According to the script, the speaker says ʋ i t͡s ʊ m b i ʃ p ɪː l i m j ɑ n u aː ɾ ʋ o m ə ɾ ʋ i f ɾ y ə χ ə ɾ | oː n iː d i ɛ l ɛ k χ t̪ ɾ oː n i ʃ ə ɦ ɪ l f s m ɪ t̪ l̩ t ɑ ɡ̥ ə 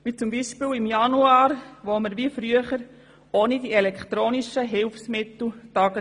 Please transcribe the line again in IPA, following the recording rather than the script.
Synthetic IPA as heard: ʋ i t͡s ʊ m b i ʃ p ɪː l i m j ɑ n u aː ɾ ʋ o m ə ɾ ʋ i f ɾ y ə χ ə ɾ | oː n i d i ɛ l ɛ k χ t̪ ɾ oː n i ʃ ə ɦ ɪ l f s m ɪ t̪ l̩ t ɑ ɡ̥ ə